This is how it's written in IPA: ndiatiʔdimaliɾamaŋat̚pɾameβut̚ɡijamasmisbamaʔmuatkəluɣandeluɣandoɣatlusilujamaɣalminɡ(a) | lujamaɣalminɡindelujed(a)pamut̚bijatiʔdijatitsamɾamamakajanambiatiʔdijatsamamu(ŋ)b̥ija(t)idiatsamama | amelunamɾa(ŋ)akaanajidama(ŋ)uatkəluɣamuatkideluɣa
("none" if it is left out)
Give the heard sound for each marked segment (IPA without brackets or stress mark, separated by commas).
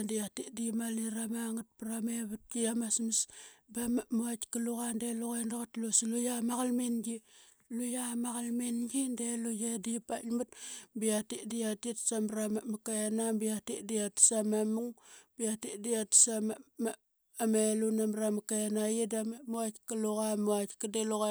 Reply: i, i, ŋ, t, m, m